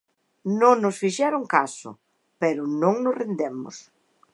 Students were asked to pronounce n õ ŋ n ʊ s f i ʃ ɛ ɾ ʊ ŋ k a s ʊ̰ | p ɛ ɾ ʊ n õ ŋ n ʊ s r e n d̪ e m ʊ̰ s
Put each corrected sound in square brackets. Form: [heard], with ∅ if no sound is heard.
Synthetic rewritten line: n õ ŋ n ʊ s f i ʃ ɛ ɾ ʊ ŋ k a s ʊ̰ | p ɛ ɾ ʊ n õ ŋ n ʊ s r e n d̪ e m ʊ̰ s